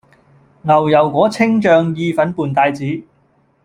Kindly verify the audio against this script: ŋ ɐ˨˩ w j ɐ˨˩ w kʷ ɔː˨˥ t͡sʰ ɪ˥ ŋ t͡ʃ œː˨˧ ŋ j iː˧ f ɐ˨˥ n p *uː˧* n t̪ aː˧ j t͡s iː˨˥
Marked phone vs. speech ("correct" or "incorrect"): incorrect